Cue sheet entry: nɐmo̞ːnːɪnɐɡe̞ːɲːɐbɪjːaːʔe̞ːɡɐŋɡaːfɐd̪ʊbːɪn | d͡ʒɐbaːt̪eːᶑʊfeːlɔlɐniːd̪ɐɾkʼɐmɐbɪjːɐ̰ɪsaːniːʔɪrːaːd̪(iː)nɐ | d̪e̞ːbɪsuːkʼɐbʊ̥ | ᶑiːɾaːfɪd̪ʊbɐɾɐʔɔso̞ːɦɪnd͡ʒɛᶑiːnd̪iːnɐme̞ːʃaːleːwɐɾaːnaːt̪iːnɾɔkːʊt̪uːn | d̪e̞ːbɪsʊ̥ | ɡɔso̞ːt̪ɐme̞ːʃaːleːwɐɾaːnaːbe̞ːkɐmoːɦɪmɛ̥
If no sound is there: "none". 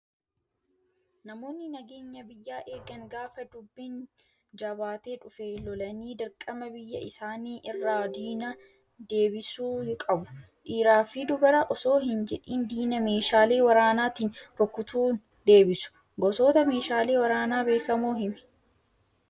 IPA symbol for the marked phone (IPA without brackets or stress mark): iː